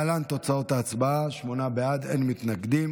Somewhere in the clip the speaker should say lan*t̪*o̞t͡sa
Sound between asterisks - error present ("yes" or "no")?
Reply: no